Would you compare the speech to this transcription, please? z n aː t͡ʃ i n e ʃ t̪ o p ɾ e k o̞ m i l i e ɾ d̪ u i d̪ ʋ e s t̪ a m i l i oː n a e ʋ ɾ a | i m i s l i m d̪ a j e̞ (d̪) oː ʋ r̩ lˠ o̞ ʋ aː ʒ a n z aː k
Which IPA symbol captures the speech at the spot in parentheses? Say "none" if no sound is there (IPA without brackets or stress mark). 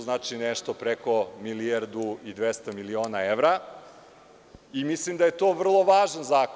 t̪